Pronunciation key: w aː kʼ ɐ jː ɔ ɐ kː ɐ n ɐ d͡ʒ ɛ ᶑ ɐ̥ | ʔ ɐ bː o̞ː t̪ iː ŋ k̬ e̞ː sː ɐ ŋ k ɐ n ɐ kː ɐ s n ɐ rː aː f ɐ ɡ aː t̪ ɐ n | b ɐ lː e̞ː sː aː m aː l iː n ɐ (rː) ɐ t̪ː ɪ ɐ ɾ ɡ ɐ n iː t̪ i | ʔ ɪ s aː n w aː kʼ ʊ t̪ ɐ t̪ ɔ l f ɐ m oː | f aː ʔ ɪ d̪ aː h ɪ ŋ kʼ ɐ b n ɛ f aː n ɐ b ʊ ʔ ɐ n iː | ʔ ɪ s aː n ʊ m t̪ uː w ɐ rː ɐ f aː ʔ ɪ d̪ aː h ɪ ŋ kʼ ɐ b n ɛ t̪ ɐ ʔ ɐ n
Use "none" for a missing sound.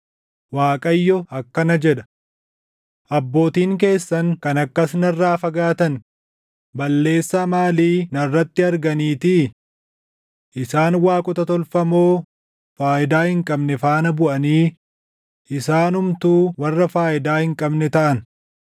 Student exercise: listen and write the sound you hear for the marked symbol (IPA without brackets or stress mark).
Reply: rː